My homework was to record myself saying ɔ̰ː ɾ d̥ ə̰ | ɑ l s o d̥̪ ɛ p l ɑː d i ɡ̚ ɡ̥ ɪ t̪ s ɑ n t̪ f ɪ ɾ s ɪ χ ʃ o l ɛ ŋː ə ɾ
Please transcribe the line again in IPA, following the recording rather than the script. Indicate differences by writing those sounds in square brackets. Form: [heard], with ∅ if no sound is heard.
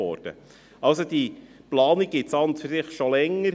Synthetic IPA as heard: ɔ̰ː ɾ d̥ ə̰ | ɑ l s o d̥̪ [i] p l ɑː [n] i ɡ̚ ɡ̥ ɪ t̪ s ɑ n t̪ f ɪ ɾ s ɪ χ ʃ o l ɛ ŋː ə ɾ